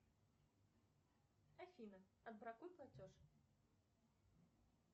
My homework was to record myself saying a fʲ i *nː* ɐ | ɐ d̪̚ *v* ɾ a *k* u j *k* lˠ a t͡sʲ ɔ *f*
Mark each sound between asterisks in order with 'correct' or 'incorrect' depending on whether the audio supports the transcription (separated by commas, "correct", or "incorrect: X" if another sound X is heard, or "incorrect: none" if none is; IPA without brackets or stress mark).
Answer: incorrect: n, incorrect: b, correct, incorrect: p, incorrect: ʂ